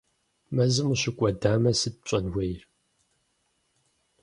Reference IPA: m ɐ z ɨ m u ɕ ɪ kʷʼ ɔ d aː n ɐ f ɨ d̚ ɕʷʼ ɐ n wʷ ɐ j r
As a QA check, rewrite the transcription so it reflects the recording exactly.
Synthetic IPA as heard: m ɐ z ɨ m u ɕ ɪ kʷʼ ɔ d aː m ɐ s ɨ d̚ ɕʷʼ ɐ n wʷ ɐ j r